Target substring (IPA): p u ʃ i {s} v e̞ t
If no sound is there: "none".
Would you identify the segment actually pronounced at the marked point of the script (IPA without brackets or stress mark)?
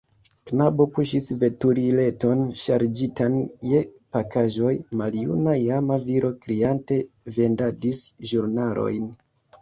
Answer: s